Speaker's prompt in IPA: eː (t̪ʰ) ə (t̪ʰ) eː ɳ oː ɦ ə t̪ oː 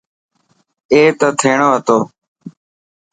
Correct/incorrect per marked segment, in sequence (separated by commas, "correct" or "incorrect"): incorrect, correct